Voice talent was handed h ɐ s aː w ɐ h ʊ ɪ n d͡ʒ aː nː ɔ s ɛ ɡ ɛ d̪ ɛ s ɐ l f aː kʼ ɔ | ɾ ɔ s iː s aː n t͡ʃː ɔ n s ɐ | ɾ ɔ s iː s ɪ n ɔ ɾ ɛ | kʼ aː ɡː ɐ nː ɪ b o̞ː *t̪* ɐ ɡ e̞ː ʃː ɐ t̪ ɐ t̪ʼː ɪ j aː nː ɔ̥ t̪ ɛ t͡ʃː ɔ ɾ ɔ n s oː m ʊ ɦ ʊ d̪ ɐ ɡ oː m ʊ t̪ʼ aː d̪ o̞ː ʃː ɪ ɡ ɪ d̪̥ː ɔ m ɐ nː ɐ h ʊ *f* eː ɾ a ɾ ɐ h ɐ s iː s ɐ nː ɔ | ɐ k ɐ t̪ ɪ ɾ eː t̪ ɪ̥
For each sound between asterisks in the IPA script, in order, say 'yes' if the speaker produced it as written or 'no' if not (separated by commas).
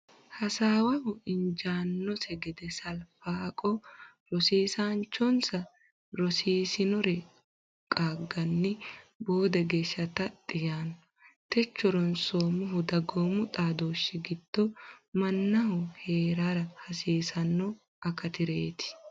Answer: no, no